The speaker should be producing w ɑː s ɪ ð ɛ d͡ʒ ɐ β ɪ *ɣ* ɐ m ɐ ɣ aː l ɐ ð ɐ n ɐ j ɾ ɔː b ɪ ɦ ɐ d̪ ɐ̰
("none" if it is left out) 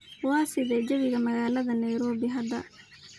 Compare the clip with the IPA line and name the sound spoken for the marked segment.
ɣ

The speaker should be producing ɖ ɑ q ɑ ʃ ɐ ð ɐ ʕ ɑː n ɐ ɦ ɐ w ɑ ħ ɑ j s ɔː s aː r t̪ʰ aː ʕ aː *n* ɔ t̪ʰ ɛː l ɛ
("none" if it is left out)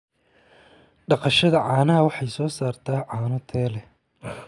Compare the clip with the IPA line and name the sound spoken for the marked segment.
n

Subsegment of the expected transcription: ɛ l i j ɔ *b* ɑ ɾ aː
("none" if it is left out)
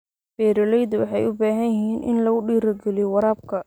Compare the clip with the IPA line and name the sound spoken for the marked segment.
w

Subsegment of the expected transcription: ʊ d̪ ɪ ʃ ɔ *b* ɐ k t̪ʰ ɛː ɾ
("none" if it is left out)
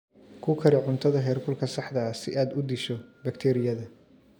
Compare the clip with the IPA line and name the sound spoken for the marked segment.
b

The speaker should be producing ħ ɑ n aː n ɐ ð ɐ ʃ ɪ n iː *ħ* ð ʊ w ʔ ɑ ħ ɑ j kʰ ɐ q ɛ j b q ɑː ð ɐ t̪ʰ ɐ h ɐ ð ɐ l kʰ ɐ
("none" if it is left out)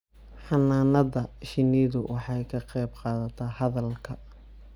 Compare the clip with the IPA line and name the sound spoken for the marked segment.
none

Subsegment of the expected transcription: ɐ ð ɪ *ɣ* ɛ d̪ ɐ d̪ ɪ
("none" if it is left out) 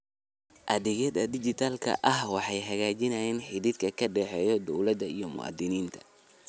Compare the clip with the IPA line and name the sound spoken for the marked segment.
ɣ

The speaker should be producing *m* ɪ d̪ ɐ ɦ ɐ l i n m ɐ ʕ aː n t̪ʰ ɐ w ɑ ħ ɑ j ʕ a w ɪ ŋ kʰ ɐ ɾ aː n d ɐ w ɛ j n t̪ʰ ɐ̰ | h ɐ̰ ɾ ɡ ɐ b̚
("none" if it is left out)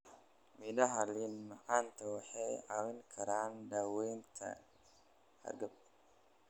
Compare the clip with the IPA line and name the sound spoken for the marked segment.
m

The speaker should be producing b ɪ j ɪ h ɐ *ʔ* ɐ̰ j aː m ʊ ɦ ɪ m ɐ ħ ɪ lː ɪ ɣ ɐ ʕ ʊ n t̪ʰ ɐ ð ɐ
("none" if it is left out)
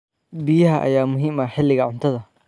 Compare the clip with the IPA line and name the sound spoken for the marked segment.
ʔ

